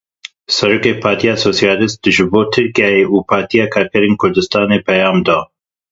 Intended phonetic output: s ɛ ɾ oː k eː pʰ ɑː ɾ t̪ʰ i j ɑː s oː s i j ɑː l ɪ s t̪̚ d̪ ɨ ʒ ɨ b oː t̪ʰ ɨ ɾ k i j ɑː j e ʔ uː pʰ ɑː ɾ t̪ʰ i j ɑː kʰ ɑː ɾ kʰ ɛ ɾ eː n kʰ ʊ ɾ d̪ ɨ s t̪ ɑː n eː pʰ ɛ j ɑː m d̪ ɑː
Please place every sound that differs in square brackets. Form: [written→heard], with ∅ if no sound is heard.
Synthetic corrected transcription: s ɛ ɾ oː k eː pʰ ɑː ɾ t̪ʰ i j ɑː s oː s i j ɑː l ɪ s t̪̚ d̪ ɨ ʒ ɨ b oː t̪ʰ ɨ ɾ k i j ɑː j e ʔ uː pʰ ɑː ɾ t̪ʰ i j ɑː kʰ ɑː ɾ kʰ ɛ ɾ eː n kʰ ʊ ɾ d̪ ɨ s t̪ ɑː n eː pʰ ɛ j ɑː m d̪ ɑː